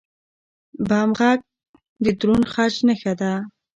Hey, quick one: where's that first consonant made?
lips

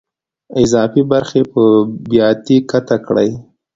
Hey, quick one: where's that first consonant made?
tongue tip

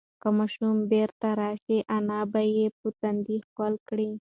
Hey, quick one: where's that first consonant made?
velum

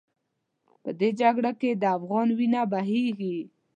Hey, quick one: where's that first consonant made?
lips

